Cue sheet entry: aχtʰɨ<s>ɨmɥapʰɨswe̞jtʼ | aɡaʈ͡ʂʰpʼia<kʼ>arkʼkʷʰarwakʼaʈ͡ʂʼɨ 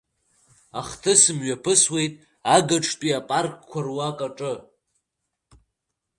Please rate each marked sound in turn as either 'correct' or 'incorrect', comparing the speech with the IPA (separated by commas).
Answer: correct, incorrect